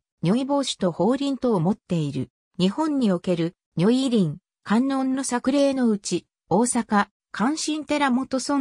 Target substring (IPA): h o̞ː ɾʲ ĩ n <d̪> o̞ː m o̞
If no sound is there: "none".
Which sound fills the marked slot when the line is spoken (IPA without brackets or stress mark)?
t̪